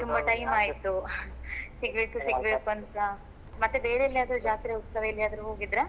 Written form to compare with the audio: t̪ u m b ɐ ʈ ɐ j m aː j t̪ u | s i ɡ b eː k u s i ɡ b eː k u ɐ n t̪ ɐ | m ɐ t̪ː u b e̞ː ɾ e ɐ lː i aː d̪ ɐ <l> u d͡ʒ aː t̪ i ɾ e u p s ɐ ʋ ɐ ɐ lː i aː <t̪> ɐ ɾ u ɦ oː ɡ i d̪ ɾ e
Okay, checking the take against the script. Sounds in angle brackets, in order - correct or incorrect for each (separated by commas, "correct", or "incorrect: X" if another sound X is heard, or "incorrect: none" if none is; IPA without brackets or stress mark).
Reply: incorrect: ɾ, incorrect: d̪